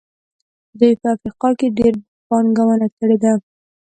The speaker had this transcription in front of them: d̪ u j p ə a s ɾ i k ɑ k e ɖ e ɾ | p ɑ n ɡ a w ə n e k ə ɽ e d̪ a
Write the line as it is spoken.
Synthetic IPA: d̪ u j p ə a f ɾ i q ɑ k e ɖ e ɾ | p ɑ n ɡ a w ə n a k ə ɽ e d̪ a